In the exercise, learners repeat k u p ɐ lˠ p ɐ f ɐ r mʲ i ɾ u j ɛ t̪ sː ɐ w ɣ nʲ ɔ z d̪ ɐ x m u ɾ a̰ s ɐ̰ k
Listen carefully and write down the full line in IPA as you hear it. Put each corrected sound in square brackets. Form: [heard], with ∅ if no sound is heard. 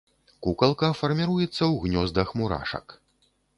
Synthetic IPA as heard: k u [k] ɐ lˠ [k] ɐ f ɐ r mʲ i ɾ u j ɛ t̪ sː ɐ w ɣ nʲ ɔ z d̪ ɐ x m u ɾ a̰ [ʂ] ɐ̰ k